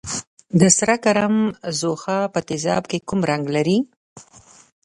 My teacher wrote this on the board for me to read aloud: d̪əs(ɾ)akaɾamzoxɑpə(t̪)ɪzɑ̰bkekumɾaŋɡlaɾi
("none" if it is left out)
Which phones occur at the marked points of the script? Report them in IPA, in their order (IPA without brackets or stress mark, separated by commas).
ɾ, t̪